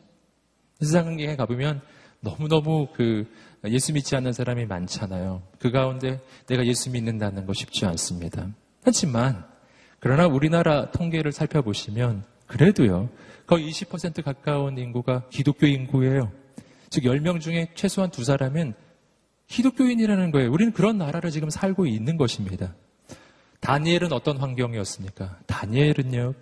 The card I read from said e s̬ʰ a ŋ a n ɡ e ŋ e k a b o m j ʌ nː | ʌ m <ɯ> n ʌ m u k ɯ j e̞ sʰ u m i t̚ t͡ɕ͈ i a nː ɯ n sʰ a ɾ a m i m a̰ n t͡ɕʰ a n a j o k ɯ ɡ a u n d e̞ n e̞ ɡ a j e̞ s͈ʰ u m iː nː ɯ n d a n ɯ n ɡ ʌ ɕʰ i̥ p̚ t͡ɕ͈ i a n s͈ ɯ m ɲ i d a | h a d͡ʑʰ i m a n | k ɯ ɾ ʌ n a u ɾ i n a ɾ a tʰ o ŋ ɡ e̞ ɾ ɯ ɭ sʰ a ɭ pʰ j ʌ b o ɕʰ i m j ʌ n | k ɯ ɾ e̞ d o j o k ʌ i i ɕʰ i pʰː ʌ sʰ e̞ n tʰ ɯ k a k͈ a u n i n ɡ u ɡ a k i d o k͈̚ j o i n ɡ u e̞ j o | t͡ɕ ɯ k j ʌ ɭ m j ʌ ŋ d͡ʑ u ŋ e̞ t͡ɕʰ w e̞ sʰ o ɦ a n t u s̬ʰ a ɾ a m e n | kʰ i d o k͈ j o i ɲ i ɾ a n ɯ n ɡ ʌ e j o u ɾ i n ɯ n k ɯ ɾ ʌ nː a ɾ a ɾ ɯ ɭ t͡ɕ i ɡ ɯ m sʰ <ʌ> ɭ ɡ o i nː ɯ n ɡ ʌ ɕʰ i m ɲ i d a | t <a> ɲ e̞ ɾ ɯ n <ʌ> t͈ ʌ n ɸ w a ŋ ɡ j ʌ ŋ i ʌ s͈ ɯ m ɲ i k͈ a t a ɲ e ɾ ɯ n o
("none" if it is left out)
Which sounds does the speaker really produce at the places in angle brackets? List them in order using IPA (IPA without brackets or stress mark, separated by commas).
u, a, a, ʌ